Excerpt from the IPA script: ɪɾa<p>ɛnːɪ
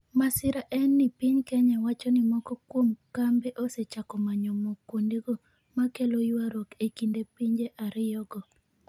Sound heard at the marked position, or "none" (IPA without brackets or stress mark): ʔ